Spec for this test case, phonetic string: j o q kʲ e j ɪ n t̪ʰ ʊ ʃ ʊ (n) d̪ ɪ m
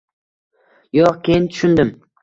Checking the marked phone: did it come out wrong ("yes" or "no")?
no